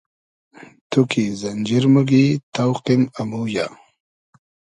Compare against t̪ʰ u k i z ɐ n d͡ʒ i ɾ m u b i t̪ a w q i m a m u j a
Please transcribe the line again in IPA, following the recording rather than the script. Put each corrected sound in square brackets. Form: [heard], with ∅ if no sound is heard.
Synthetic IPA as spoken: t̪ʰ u k i z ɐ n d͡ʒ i ɾ m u [ɡ] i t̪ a w q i m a m u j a